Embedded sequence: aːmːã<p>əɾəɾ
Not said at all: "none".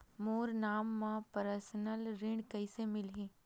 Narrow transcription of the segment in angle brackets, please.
p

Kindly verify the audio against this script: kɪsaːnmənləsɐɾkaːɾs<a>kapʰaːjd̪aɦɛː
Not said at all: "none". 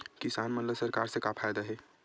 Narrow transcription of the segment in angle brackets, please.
e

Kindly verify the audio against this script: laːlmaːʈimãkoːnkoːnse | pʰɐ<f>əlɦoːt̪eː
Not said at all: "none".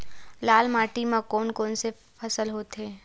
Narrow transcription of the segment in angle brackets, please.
s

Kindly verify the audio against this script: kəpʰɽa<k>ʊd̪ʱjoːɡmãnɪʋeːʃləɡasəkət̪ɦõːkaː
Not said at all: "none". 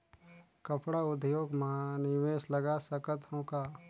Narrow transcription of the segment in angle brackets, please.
none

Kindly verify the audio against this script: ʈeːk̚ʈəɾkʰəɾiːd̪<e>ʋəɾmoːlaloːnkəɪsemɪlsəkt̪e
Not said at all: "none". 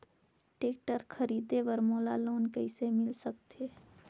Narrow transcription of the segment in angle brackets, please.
e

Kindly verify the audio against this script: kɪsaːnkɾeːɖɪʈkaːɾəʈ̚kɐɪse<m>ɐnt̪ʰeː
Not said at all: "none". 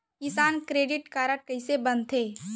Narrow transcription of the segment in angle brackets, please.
b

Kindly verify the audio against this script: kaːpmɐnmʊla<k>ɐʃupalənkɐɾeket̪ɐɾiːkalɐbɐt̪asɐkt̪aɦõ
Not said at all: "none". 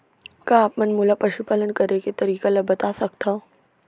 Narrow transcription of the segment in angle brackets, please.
p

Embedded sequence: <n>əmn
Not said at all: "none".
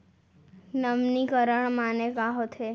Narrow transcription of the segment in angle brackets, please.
n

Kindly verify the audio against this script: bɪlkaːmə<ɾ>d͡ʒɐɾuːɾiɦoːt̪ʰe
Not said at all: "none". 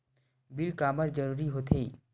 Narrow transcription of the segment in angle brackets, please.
ɾ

